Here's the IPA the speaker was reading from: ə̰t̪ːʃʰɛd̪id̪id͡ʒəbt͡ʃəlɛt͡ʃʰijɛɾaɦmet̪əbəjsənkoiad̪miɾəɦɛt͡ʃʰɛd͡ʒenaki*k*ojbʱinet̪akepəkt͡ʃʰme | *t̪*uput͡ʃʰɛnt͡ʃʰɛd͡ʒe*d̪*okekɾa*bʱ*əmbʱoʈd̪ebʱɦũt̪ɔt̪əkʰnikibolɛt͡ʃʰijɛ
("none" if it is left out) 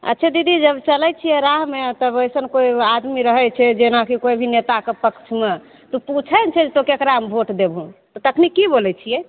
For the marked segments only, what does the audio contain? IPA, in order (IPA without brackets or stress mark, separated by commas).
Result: k, t̪, t̪, none